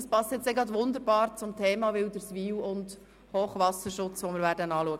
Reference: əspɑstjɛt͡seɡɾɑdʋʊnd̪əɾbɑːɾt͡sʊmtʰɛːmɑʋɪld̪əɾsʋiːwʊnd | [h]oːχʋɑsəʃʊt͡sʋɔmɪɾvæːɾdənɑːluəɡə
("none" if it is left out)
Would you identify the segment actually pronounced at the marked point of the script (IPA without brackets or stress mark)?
h